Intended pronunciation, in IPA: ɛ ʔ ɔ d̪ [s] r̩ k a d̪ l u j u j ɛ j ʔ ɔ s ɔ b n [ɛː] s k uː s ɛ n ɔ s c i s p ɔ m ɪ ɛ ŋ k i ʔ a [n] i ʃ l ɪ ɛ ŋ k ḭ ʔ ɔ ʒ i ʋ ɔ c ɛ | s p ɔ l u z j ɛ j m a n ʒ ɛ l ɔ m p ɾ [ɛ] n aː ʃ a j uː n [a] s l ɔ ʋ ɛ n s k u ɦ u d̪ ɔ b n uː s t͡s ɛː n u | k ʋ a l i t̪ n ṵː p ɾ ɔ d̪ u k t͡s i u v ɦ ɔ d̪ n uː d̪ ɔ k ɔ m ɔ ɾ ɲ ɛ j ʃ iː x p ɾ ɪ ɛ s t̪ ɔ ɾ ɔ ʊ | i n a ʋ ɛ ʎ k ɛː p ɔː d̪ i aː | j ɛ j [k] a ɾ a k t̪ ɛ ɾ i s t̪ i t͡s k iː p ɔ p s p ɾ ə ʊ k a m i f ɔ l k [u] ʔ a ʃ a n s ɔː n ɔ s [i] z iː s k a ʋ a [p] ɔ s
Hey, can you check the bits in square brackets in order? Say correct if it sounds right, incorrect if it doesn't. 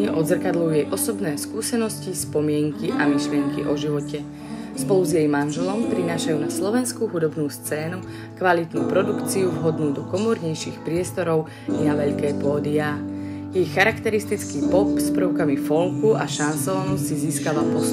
incorrect, correct, incorrect, incorrect, correct, incorrect, correct, correct, correct

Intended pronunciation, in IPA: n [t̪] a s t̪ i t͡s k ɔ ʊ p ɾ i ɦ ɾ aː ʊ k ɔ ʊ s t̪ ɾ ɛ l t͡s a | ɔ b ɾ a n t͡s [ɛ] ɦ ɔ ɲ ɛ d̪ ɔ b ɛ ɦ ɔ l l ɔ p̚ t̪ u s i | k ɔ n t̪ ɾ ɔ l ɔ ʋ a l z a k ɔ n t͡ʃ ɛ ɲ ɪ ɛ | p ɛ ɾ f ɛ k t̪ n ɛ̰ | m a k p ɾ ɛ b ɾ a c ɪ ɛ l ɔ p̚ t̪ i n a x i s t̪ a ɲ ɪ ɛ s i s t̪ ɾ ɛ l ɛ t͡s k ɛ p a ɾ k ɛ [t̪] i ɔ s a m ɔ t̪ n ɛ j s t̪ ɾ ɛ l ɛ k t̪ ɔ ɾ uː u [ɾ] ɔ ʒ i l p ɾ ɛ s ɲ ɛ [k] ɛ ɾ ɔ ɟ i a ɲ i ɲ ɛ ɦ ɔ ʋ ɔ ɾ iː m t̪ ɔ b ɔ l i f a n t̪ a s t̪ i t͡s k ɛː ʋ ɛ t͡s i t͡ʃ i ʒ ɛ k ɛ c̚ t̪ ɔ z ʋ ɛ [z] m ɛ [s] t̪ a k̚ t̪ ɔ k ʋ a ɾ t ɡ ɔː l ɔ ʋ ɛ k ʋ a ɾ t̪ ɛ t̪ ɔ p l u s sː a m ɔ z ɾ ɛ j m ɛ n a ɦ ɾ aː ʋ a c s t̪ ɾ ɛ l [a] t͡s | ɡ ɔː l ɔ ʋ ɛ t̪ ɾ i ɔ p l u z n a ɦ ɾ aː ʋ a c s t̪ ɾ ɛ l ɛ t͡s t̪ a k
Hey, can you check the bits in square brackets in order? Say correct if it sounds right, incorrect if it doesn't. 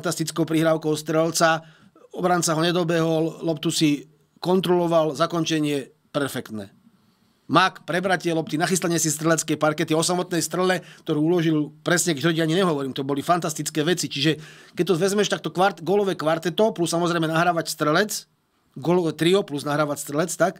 correct, incorrect, correct, incorrect, correct, correct, incorrect, incorrect

